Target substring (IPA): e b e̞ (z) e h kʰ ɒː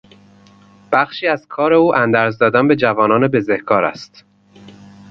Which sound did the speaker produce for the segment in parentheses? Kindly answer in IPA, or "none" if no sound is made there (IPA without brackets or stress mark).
z